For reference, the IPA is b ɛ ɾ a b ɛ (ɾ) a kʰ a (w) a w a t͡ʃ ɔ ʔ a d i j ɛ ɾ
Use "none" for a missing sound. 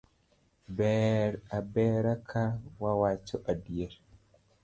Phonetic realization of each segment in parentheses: ɾ, w

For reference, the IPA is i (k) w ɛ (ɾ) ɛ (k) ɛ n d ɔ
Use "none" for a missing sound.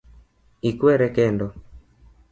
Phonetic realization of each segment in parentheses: k, ɾ, k

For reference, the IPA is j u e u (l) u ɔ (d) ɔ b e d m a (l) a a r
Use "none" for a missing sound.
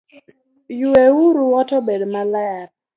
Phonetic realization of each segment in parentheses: ɾ, t, l

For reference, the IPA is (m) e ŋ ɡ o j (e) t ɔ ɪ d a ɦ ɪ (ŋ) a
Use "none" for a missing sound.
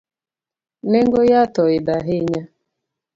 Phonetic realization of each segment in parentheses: n, a, ɲ

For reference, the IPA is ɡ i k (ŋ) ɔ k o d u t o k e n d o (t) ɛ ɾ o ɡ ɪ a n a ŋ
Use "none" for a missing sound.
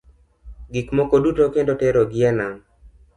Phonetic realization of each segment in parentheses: m, t

